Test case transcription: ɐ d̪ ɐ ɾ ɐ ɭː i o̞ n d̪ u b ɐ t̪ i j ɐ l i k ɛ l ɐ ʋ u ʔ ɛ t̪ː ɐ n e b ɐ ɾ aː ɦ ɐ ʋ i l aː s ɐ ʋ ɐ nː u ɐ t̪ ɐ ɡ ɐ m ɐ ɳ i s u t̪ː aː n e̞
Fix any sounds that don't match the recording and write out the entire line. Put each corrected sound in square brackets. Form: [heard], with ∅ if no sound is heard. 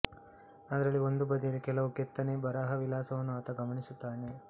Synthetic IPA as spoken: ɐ d̪ ɐ ɾ ɐ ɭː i o̞ n d̪ u b ɐ [d̪] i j ɐ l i k ɛ l ɐ ʋ u [k] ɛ t̪ː ɐ n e b ɐ ɾ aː ɦ ɐ ʋ i l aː s ɐ ʋ ɐ nː u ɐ t̪ ɐ ɡ ɐ m ɐ ɳ i s u t̪ː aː n e̞